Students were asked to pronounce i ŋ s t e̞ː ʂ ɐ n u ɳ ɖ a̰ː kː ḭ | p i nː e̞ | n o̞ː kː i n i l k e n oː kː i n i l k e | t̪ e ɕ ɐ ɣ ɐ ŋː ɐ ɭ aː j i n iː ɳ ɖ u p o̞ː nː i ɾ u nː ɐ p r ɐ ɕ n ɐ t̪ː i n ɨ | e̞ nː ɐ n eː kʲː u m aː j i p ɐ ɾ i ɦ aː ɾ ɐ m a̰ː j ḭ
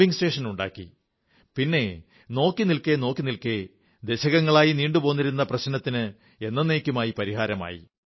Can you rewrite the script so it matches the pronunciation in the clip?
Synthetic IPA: i ŋ s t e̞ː ʂ ɐ n u ɳ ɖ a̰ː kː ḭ | p i nː e̞ | n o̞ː kː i n i l k e n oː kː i n i l k e | d̪ e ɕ ɐ ɣ ɐ ŋː ɐ ɭ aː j i n iː ɳ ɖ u p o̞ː nː i ɾ u nː ɐ p r ɐ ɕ n ɐ t̪ː i n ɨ | e̞ nː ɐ n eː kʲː u m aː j i p ɐ ɾ i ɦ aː ɾ ɐ m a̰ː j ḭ